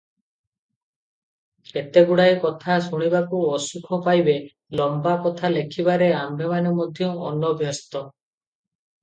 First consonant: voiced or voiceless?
voiceless